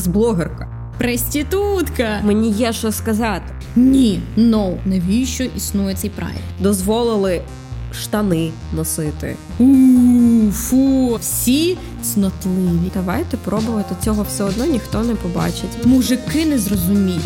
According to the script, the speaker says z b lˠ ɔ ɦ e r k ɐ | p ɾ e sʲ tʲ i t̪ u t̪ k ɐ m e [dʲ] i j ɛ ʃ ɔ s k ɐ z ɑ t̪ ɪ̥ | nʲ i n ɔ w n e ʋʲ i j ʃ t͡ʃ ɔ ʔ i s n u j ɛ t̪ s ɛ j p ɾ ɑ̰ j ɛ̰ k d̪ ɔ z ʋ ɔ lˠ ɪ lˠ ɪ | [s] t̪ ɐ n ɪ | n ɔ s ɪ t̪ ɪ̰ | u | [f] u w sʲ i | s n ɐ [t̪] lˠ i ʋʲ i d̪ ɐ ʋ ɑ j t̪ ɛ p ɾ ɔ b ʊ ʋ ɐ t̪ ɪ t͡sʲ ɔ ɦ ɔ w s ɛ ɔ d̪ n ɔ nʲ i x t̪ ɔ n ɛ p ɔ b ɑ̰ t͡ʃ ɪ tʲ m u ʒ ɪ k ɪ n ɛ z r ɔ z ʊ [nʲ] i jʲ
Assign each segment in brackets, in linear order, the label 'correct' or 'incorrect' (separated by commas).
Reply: incorrect, incorrect, correct, correct, incorrect